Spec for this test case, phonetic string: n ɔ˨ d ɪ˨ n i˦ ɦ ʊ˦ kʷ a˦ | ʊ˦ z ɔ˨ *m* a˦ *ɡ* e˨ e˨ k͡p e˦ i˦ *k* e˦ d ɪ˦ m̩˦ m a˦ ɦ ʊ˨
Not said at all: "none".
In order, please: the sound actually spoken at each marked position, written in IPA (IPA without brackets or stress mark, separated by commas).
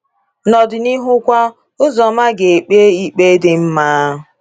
m, ɡ, k͡p